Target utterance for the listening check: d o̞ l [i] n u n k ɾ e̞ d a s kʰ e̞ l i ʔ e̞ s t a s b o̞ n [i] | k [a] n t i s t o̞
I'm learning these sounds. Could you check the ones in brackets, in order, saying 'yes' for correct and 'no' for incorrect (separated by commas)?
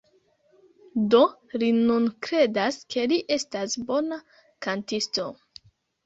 yes, no, yes